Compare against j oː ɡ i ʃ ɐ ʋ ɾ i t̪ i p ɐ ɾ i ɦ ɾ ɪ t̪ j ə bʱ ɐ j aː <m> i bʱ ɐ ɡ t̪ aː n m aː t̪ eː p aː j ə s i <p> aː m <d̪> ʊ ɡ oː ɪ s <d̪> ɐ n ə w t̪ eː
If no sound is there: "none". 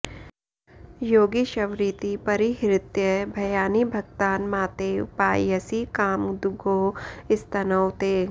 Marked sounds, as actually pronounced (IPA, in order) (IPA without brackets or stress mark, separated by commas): n, k, d̪, t̪